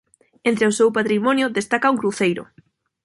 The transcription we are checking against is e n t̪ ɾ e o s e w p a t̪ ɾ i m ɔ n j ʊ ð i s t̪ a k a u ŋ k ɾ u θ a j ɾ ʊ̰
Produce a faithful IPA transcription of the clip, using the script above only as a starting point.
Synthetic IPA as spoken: e n t̪ ɾ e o s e w p a t̪ ɾ i m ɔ n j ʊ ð e s t̪ a k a u ŋ k ɾ u θ e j ɾ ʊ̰

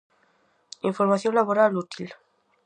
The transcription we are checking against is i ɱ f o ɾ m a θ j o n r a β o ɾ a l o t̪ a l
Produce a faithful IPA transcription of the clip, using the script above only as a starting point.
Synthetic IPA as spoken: i ɱ f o ɾ m a θ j o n l a β o ɾ a l u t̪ i l

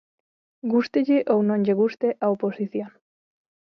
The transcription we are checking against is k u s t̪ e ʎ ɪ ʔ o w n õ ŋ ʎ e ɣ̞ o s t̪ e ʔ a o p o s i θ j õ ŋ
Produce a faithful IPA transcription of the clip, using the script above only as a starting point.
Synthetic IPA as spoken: ɡ u s t̪ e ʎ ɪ ʔ o w n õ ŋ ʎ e ɣ̞ u s t̪ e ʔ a o p o s i θ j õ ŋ

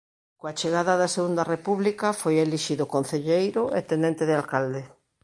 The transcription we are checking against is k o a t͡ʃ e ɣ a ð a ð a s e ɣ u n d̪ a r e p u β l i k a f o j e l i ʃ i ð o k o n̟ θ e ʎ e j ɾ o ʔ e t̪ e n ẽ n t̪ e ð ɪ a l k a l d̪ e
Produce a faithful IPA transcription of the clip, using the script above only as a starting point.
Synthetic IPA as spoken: k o a t͡ʃ e ɣ a ð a ð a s e ɣ u n d̪ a r e p u β l i k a f o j e l i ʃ i ð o k o n̟ θ e ʎ e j ɾ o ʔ e t̪ e n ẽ n t̪ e ð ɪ a l k a l d̪ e

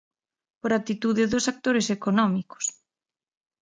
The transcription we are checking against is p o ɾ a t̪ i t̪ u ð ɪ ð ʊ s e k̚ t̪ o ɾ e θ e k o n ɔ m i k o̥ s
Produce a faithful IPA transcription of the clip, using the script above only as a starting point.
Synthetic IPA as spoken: p o ɾ a t̪ i t̪ u ð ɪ ð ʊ s a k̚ t̪ o ɾ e s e k o n ɔ m i k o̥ s

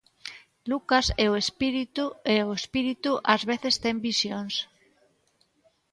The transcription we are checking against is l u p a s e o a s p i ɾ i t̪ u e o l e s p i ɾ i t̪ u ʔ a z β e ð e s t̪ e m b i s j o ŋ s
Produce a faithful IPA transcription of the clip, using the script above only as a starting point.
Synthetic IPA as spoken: l u k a s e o e s p i ɾ i t̪ u e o e s p i ɾ i t̪ u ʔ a z β e θ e s t̪ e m b i s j o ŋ s

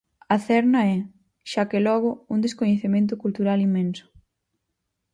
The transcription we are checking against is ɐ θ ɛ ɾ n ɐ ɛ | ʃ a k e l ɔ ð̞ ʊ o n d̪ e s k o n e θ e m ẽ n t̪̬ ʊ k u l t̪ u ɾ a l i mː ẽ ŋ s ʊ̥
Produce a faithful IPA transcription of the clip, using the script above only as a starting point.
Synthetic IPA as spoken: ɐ θ ɛ ɾ n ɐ ɛ | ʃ a k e l ɔ ɣ̞ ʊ u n d̪ e s k o ɲ e θ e m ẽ n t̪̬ ʊ k u l t̪ u ɾ a l i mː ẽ n s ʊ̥

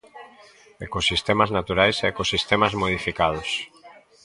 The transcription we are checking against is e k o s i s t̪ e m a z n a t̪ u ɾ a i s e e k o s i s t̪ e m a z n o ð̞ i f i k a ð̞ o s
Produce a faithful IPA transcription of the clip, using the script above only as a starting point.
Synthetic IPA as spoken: e k o s i s t̪ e m a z n a t̪ u ɾ a j s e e k o s i s t̪ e m a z m o ð̞ i f i k a ð̞ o s

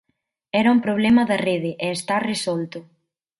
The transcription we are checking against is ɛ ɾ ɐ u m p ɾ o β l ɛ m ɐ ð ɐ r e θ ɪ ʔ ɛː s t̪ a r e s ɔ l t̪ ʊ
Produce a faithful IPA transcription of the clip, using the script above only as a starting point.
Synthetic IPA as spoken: ɛ ɾ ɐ u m p ɾ o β l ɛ m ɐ ð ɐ r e ð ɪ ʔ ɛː s t̪ a r e s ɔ l t̪ ʊ

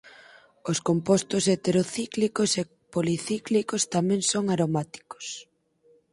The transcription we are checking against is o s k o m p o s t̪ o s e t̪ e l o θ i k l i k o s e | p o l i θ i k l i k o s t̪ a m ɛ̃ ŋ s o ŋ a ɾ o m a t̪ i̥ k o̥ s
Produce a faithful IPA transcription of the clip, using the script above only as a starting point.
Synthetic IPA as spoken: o s k o m p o s t̪ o s e t̪ e ɾ o θ i k l i k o s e | p o l i θ i k l i k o s t̪ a m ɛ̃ ŋ s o ŋ a ɾ o m a t̪ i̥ k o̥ s

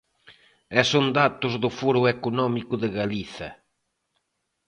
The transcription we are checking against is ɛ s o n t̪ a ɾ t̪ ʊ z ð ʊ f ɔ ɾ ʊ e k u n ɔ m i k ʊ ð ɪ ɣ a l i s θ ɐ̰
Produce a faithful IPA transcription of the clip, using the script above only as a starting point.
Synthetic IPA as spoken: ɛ s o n d̪ a t̪ ʊ z ð ʊ f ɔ ɾ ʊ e k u n ɔ m i k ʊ ð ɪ ɣ a l i θ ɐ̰

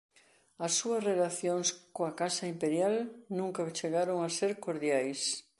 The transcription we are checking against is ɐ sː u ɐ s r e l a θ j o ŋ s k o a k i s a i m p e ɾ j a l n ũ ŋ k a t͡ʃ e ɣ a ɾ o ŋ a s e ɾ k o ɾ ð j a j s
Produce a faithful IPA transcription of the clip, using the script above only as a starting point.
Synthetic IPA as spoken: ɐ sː u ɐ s r e l a θ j o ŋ s k o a k a s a i m p e ɾ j a l n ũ ŋ k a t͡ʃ e ɣ a ɾ o ŋ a s e ɾ k o ɾ ð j a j s

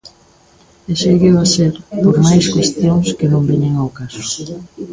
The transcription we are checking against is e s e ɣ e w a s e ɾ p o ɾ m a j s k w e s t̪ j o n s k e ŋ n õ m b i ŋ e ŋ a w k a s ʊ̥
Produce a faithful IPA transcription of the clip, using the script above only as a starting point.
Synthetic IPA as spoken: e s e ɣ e w a s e ɾ p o ɾ m a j s k w e s t̪ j o ŋ s k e n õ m b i ɲ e ŋ a w k a s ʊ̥

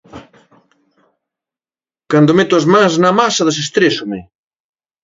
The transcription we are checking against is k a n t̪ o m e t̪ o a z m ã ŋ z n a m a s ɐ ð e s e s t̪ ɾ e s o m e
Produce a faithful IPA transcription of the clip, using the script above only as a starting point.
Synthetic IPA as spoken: k a n d̪ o m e t̪ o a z m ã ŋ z n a m a s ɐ ð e s e s t̪ ɾ e s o m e

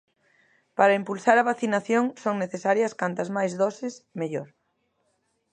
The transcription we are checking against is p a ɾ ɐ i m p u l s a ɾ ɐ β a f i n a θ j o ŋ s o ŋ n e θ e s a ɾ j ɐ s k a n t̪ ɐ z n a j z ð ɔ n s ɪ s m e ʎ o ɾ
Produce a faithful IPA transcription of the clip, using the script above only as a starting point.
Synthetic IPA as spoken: p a ɾ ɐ i m p u l s a ɾ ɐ β a θ i n a θ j o ŋ s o ŋ n e θ e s a ɾ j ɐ s k a n t̪ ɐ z m a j z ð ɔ s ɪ s m e ʎ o ɾ

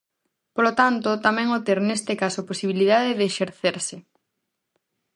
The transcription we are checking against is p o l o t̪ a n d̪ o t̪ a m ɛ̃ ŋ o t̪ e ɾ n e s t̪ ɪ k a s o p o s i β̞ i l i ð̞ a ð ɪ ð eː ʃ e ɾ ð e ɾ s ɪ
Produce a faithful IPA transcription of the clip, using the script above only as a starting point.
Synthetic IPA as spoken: p o l o t̪ a n t̪ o t̪ a m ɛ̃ ŋ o t̪ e ɾ n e s t̪ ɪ k a s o p o s i β̞ i l i ð̞ a ð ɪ ð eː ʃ e ɾ θ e ɾ s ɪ

